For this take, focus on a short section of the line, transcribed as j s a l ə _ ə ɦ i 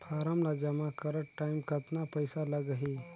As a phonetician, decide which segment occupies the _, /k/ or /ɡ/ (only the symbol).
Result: ɡ